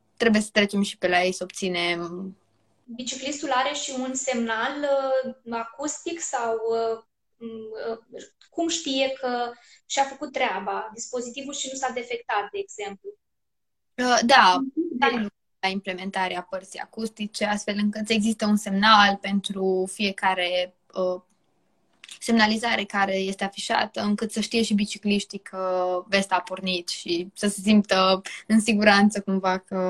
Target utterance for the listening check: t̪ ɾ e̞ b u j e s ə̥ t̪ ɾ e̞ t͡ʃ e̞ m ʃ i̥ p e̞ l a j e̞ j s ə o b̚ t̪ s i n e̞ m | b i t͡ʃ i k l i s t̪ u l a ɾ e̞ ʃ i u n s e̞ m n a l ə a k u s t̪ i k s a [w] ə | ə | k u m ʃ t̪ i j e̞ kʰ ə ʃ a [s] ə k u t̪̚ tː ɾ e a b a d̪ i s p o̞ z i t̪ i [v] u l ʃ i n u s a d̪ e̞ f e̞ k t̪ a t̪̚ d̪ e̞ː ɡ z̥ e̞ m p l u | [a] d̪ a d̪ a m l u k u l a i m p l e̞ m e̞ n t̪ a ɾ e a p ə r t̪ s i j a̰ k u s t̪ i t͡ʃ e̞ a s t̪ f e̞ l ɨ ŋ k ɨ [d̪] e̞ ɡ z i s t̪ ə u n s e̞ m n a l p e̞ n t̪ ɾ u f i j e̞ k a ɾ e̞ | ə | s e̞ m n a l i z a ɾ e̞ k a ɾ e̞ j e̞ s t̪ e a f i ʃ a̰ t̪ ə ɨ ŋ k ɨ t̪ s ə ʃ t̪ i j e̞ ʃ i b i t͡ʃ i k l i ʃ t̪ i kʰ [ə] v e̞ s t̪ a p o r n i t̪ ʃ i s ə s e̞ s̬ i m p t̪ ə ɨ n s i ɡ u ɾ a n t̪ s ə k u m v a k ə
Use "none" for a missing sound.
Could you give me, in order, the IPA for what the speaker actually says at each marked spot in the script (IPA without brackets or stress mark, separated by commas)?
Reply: w, f, v, ə, t̪, ə